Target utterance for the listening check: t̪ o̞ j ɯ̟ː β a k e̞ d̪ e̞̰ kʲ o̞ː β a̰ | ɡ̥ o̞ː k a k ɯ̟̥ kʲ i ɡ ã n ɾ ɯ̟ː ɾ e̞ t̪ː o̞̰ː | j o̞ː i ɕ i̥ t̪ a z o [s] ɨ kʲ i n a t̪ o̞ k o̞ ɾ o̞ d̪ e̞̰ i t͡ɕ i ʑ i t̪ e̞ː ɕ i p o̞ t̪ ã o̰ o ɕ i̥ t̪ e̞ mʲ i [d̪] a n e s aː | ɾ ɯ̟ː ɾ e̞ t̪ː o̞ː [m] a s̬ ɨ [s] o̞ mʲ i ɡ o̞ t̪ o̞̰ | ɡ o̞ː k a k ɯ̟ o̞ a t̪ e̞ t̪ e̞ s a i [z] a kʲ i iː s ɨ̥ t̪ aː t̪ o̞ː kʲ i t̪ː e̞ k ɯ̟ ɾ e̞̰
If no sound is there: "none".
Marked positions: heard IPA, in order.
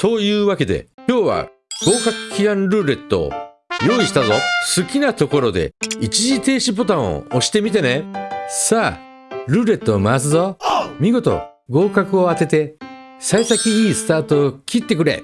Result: s, t̪, m, z, s

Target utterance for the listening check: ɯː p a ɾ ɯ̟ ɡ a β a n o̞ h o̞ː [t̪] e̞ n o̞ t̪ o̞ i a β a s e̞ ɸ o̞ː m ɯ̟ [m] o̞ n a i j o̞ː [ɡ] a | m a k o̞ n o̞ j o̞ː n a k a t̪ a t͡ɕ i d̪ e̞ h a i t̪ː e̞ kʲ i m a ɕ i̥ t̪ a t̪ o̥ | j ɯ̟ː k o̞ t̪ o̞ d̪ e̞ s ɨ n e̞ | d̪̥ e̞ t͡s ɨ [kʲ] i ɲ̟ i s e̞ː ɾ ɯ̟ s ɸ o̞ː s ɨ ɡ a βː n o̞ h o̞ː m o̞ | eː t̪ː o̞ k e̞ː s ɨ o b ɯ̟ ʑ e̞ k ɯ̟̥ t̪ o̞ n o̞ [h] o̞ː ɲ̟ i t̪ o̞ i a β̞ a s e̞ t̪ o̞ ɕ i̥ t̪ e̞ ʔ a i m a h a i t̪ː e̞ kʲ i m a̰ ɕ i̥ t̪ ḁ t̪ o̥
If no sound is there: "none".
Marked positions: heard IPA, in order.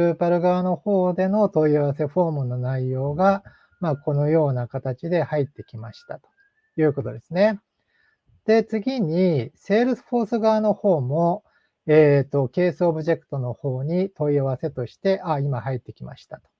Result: d̪, n, ɡ, ɡʲ, h

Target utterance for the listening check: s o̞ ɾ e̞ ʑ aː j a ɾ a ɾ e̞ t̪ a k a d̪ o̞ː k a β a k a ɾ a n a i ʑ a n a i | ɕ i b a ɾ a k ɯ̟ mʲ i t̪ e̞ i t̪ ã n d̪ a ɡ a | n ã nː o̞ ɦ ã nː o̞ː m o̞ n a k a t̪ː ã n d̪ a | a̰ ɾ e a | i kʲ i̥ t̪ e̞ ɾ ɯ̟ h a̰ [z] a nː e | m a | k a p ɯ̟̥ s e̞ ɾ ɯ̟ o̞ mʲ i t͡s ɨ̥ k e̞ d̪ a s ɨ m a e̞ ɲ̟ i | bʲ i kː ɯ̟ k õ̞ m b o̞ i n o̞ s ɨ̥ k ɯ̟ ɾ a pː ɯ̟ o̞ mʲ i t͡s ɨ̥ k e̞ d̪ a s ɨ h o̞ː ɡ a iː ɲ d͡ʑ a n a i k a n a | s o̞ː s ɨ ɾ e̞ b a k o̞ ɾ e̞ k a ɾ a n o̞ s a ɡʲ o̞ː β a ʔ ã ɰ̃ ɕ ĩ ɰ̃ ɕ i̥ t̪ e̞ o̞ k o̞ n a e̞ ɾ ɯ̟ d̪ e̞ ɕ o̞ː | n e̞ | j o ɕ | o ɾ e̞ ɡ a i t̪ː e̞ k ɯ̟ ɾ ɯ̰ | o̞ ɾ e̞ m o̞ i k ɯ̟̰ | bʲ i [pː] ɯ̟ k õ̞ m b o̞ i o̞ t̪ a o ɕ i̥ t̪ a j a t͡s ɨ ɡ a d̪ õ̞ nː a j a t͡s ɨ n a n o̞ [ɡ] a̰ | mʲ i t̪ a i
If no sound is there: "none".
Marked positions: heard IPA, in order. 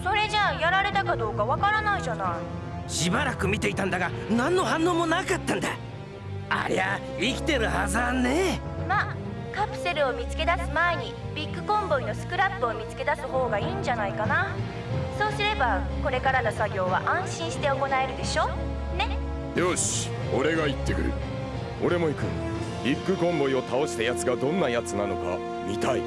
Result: z, kː, k

